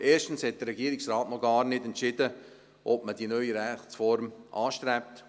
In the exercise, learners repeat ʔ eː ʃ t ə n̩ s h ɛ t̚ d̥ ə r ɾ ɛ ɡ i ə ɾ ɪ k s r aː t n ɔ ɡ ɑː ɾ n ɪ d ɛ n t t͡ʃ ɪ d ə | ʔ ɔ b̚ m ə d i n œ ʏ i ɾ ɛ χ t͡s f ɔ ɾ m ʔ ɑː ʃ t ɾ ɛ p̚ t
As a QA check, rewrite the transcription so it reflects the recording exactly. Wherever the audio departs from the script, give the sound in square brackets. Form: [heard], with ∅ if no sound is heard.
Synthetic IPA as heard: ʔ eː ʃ t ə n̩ s h ɛ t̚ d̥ ə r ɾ ɛ ɡ i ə ɾ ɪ k s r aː t n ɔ ɡ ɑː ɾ n ɪ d ɛ n t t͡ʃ ɪ d ə | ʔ ɔ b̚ m ə d i n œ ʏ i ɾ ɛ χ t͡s f ɔ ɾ m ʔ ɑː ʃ t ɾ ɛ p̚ t

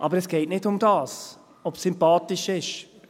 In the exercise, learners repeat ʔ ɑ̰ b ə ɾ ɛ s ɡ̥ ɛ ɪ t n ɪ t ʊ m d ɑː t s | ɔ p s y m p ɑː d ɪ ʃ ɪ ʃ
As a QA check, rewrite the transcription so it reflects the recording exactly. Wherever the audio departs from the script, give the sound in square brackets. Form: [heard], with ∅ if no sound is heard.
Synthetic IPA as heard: ʔ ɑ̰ b ə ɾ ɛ s ɡ̥ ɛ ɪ t n ɪ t ʊ m d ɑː [∅] s | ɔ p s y m p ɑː [t] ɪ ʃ ɪ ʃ

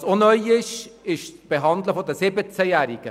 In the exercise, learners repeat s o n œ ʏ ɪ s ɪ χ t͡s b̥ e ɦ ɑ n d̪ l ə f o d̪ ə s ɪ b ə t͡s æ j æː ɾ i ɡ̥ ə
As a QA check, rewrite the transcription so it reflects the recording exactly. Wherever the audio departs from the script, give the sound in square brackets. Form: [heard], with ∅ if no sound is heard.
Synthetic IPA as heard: s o n œ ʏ ɪ [ʃ] ɪ [ʃ] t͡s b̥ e ɦ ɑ n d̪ l ə f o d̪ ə s ɪ b ə t͡s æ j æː ɾ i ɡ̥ ə

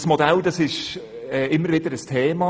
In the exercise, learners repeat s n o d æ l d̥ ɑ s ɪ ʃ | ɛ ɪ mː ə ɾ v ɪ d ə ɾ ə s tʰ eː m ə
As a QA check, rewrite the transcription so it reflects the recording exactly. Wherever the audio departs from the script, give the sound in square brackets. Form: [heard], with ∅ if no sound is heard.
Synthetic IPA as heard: s [m] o d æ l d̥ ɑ s ɪ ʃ | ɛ ɪ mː ə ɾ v ɪ d ə ɾ ə s tʰ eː m [ɑ]

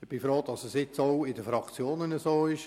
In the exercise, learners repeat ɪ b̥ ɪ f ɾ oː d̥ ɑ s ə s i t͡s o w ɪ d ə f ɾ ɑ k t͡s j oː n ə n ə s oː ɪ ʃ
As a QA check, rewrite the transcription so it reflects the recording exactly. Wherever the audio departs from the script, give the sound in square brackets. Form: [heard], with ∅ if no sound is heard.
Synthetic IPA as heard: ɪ b̥ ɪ f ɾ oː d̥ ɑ s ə s [ɪ] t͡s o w ɪ d ə f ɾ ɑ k t͡s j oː n ə n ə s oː ɪ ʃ

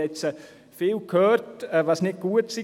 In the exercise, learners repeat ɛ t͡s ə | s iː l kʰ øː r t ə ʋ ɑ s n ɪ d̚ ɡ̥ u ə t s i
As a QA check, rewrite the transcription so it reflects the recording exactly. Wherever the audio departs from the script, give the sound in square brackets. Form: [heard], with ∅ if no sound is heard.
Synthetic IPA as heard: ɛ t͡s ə | [f] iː l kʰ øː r t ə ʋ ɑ s n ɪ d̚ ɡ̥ u ə t s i

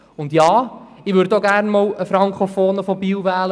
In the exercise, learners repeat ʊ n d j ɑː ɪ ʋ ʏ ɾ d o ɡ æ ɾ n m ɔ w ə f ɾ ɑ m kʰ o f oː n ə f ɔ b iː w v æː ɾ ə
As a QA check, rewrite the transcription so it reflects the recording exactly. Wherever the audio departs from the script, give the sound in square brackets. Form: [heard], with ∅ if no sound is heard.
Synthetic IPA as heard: ʊ n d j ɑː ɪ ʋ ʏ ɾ d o ɡ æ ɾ n m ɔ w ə f ɾ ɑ [ŋ] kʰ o f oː n ə f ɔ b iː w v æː [l] ə

